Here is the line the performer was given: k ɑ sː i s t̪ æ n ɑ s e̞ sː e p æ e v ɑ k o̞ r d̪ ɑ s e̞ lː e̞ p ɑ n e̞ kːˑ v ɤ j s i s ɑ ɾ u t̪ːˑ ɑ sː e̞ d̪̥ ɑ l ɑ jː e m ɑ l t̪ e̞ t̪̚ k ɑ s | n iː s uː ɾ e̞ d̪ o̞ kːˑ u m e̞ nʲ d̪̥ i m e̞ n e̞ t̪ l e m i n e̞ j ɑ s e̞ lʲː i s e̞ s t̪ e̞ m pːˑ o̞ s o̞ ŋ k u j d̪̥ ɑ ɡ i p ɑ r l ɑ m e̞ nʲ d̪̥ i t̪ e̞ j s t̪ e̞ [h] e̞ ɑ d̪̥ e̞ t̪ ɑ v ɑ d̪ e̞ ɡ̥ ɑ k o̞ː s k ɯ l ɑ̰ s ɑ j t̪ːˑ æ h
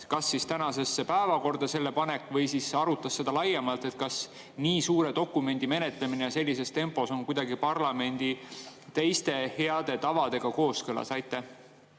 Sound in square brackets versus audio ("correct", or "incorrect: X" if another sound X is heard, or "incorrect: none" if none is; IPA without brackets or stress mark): correct